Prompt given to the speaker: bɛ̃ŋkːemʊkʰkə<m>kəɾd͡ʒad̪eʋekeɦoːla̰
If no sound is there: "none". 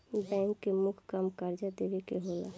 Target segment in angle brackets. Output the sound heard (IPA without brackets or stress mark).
m